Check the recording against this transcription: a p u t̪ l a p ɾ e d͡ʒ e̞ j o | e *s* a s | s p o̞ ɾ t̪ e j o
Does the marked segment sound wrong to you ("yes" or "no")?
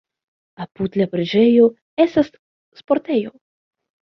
no